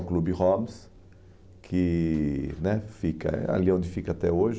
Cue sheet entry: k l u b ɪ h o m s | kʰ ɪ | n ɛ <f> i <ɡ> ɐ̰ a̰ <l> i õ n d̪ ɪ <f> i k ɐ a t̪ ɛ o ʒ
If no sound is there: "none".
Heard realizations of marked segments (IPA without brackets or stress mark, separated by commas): f, k, l, f